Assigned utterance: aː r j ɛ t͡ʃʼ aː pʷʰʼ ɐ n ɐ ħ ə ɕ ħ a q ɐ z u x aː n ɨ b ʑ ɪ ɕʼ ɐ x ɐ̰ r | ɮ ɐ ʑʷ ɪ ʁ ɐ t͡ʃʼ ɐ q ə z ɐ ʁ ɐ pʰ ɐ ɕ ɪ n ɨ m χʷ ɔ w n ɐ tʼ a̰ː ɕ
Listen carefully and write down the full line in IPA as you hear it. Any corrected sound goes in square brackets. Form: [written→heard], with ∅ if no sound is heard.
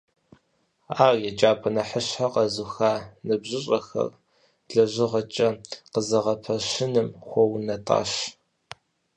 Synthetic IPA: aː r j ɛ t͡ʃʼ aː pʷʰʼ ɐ n ɐ ħ ə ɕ ħ a q ɐ z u x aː n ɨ b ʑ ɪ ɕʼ ɐ x ɐ̰ r | ɮ ɐ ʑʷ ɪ ʁ ɐ t͡ʃʼ ɐ q ə z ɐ ʁ ɐ pʰ ɐ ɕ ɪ n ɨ m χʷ ɔ w n ɐ tʼ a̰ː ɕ

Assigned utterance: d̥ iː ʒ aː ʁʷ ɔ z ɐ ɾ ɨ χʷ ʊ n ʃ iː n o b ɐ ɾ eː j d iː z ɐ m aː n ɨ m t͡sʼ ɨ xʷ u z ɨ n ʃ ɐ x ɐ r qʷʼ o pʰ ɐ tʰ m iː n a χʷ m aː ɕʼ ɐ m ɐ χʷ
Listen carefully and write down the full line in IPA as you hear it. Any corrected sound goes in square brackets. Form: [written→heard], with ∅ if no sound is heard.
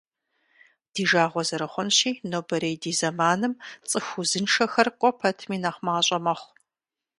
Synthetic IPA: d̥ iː ʒ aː ʁʷ ɔ z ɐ ɾ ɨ χʷ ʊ n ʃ iː n o b ɐ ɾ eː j d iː z ɐ m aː n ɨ m t͡sʼ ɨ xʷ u z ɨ n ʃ ɐ x ɐ r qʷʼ [o→ɔ] pʰ ɐ tʰ m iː n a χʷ m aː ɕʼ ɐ m ɐ χʷ

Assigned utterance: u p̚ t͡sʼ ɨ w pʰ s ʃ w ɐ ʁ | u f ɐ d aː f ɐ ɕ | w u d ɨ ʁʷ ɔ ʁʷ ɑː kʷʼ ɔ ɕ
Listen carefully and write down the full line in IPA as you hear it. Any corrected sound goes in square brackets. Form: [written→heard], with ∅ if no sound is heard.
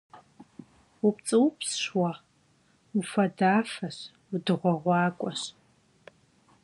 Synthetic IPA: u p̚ t͡sʼ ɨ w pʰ s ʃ w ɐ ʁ | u f ɐ d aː f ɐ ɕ | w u d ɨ ʁʷ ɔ ʁʷ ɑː kʷʼ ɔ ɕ

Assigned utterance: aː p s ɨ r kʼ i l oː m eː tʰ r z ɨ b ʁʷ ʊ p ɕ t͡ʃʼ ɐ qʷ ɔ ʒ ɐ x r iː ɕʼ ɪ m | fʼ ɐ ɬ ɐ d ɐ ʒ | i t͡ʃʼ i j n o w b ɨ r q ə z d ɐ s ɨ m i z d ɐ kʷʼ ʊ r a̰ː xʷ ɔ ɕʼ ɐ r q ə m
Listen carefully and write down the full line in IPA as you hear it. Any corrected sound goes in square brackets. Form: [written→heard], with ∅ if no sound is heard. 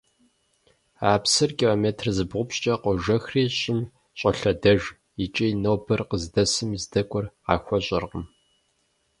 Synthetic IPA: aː p s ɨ r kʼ i l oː m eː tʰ r z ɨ b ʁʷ ʊ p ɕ t͡ʃʼ ɐ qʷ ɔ ʒ ɐ x r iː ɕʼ ɪ m | [fʼ→ɕʼ] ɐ ɬ ɐ d ɐ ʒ | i t͡ʃʼ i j n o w b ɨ r q ə z d ɐ s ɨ m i z d ɐ kʷʼ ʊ r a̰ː xʷ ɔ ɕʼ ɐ r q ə m

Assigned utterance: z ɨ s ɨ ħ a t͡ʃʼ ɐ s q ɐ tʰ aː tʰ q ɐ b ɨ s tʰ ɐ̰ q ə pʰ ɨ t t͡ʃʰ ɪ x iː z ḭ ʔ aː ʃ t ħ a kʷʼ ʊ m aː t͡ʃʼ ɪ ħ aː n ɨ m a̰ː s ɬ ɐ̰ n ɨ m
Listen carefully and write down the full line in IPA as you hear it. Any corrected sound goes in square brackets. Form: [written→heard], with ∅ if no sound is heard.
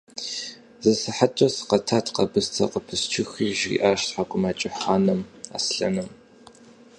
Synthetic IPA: z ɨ s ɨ ħ a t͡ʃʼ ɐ s q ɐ tʰ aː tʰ q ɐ b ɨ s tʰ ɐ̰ q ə pʰ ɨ [t→s] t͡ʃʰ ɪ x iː [z→ʒ] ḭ ʔ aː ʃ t ħ a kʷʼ ʊ m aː t͡ʃʼ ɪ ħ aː n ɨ m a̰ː s ɬ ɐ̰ n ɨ m

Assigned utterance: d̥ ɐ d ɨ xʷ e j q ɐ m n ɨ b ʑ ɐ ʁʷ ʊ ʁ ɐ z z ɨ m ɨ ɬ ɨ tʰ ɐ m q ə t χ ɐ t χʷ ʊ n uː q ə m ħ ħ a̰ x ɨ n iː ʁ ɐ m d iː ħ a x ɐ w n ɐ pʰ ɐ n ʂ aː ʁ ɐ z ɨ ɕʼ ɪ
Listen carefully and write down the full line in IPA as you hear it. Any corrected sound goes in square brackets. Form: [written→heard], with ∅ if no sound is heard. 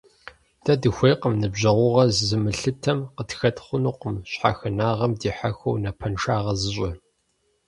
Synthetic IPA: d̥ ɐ d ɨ xʷ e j q [ɐ→ə] m n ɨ b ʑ ɐ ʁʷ ʊ ʁ ɐ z z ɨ m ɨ ɬ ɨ tʰ ɐ m q ə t [χ→x] ɐ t χʷ ʊ n uː q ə m [ħ→ɕ] ħ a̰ x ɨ n [iː→aː] ʁ ɐ m d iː ħ a x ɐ w n ɐ pʰ ɐ n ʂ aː ʁ ɐ z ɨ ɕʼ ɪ

